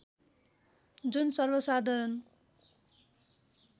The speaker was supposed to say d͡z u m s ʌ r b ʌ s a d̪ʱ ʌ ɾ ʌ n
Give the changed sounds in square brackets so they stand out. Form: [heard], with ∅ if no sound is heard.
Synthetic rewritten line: d͡z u [n] s ʌ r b ʌ s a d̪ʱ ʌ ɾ ʌ n